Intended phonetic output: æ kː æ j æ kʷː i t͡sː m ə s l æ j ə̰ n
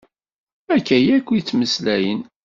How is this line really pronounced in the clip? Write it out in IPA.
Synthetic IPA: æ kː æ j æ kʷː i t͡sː m ə s l æ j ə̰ n